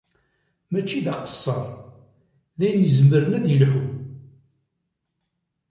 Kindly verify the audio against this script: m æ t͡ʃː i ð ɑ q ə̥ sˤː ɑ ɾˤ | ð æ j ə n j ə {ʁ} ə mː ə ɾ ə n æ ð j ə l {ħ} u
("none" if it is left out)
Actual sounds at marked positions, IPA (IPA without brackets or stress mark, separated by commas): z, ħ